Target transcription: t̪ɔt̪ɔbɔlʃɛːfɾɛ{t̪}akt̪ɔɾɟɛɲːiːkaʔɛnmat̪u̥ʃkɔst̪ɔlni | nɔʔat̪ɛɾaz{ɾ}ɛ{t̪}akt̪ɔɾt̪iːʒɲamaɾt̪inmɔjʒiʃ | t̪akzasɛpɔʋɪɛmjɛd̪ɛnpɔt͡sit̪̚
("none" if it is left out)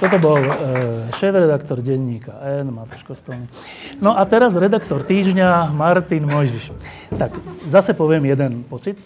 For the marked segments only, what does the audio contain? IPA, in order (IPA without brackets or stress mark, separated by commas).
d̪, ɾ, d̪